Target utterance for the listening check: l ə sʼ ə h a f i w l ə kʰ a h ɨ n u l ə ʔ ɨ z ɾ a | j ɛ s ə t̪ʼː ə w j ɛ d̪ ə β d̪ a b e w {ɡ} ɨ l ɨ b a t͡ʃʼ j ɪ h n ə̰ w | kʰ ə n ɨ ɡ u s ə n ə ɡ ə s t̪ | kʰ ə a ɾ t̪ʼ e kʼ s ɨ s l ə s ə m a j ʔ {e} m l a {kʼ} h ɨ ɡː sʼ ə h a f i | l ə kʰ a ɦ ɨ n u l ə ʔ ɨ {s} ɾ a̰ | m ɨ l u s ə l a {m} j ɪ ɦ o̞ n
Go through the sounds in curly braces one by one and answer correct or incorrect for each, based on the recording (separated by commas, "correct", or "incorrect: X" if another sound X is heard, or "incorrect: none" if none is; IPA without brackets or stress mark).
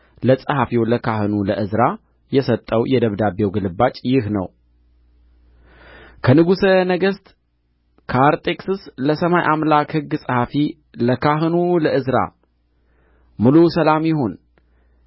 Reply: correct, incorrect: a, incorrect: k, incorrect: z, correct